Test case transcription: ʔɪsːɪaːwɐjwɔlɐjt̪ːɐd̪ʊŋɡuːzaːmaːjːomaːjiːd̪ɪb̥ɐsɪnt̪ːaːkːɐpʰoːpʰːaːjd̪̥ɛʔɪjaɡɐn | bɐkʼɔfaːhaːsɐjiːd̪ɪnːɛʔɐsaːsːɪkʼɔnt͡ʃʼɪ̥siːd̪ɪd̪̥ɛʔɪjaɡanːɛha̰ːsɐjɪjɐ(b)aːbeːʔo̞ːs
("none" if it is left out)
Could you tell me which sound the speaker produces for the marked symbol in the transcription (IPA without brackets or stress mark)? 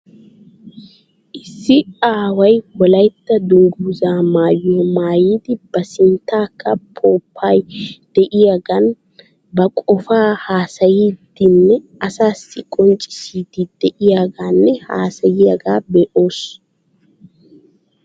ɡ